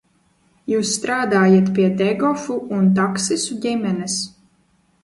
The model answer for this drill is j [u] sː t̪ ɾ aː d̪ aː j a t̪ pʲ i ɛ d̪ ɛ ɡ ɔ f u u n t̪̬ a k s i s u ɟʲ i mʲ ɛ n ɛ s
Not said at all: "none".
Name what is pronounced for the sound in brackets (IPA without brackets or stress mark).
uː